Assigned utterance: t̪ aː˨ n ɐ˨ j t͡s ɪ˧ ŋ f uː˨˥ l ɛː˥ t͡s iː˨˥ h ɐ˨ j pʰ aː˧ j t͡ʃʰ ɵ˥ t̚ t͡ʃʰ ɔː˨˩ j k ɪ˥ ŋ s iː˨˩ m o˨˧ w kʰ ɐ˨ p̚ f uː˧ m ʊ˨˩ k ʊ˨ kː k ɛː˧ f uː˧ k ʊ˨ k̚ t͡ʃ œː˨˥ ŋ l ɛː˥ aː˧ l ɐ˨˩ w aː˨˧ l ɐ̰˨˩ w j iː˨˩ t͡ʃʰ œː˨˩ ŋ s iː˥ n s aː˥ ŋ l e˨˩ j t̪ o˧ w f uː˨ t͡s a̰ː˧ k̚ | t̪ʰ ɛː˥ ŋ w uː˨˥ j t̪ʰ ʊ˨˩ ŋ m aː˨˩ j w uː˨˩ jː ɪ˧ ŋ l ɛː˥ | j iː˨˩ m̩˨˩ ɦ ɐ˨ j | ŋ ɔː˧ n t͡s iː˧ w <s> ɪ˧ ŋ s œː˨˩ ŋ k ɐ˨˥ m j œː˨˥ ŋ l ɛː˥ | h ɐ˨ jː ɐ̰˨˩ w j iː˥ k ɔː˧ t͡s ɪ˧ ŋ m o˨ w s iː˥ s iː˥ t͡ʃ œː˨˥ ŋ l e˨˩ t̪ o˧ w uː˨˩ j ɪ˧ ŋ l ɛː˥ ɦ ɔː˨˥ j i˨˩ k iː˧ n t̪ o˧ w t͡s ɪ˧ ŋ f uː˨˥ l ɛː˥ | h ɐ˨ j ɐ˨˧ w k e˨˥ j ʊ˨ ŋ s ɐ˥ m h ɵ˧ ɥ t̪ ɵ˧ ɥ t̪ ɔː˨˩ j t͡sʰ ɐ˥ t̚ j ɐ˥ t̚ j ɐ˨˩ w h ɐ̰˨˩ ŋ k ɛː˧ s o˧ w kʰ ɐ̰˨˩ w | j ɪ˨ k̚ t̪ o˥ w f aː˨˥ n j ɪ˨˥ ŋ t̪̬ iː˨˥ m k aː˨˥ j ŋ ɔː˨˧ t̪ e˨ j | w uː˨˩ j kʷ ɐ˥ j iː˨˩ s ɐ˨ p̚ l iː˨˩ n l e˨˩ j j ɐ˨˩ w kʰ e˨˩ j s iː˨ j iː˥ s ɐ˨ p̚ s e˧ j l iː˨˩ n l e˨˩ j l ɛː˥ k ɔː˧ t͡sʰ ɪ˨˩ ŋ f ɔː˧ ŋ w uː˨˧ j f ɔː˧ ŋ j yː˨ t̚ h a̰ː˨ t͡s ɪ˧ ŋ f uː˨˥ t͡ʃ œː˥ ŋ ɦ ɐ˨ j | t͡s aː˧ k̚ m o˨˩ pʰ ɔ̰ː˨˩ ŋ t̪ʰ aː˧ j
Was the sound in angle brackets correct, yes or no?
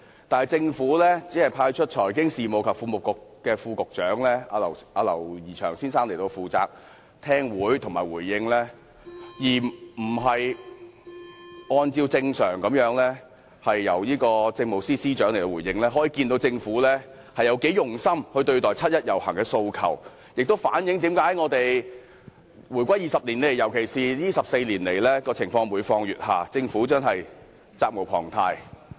no